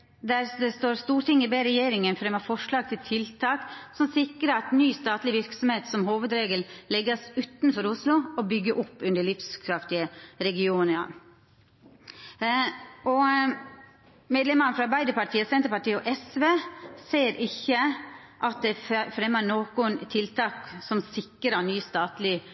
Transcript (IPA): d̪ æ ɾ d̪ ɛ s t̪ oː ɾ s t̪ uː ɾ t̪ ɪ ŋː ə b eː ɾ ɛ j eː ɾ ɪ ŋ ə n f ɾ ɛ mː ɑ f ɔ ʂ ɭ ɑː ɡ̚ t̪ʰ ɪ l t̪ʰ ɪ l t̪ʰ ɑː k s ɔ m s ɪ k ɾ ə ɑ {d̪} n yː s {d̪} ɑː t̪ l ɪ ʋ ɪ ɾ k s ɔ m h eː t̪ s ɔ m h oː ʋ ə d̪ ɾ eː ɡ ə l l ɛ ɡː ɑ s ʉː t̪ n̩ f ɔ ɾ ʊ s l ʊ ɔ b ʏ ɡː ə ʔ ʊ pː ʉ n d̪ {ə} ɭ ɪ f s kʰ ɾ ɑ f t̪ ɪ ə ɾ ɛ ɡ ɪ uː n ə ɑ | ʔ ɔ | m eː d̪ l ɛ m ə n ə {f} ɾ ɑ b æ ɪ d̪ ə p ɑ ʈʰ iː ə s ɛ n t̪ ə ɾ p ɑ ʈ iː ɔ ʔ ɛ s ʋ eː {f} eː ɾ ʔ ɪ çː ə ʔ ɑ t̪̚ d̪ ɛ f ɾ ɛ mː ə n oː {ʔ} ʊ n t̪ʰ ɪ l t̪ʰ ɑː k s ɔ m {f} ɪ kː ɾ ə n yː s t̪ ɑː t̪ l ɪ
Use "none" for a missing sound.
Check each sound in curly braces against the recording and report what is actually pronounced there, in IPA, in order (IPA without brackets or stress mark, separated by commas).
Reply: t̪, t̪, ə, f, s, k, s